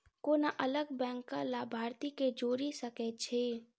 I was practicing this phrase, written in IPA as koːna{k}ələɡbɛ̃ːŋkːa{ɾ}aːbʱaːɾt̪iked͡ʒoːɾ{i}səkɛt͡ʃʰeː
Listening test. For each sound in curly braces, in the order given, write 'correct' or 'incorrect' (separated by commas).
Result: incorrect, incorrect, correct